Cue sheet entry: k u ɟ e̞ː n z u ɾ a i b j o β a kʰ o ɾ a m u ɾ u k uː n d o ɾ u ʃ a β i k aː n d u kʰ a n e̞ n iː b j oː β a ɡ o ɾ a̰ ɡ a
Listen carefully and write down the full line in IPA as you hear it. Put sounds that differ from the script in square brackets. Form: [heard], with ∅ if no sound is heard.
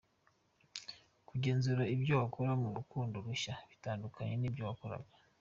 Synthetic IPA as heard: k u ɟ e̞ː n z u ɾ a i b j o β a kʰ o ɾ a m u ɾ u k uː n d o ɾ u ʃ a β i [t] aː n d u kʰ a [ɲ] e̞ n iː b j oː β a [k] o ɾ a̰ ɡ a

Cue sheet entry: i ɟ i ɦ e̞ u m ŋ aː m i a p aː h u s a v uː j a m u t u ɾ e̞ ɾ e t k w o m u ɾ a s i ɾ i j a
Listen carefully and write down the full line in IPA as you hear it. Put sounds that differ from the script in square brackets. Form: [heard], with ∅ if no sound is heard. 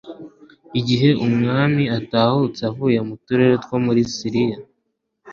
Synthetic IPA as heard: i ɟ i ɦ e̞ u m ŋ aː m i a [t] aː h u [t͡s] a v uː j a m u t u ɾ e̞ ɾ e t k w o m u ɾ [i] s i ɾ i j a

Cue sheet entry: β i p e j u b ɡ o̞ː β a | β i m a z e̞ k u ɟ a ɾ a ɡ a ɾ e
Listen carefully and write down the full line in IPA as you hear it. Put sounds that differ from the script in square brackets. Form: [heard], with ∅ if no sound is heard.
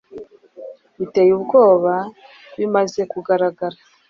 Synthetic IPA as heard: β i [t] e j u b ɡ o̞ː β a | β i m a z e̞ k u [ɡ] a ɾ a ɡ a ɾ [a]

